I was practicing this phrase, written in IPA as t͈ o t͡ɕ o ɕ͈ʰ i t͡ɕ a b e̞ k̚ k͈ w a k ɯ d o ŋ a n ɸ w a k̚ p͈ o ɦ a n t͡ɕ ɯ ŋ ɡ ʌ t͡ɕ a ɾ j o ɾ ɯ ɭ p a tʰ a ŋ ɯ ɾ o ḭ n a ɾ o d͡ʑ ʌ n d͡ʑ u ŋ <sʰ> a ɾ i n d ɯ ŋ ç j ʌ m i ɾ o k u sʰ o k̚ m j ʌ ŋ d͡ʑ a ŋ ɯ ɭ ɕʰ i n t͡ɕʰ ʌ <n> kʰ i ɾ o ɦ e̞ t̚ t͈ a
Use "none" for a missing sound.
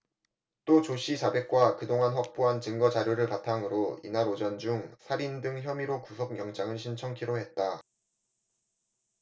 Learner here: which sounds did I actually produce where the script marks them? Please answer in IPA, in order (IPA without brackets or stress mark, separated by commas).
sʰ, ŋ